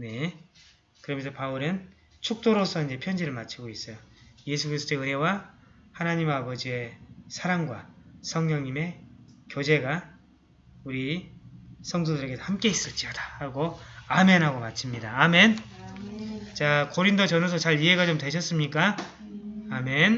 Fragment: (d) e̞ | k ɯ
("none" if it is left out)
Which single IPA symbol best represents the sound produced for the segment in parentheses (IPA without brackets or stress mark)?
n